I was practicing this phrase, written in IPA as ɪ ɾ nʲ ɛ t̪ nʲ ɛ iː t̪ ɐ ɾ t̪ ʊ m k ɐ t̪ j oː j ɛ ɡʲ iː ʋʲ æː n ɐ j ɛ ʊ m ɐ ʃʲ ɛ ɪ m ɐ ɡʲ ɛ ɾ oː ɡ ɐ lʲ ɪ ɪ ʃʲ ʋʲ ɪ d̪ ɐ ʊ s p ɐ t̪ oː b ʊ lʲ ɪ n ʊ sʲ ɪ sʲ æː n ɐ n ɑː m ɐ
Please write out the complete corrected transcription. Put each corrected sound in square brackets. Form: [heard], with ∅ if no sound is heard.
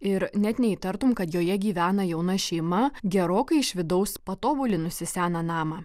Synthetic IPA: ɪ ɾ nʲ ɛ t̪ nʲ ɛ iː t̪ ɐ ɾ t̪ ʊ m k ɐ t̪ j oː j ɛ ɡʲ iː ʋʲ æː n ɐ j ɛ ʊ [n] ɐ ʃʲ ɛ ɪ m ɐ ɡʲ ɛ ɾ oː [k] ɐ [∅] ɪ ɪ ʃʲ ʋʲ ɪ d̪ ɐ ʊ s p ɐ t̪ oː b ʊ lʲ ɪ n ʊ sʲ ɪ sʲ æː n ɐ n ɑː m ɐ